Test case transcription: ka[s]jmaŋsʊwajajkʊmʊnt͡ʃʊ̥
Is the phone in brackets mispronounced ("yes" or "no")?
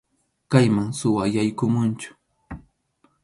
yes